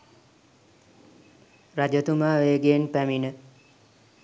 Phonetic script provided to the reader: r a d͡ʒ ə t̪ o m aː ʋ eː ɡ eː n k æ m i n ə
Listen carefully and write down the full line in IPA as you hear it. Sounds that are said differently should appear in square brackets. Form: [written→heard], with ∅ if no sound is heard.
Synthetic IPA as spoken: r a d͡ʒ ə t̪ [o→u] m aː ʋ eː ɡ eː n [k→p] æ m i n ə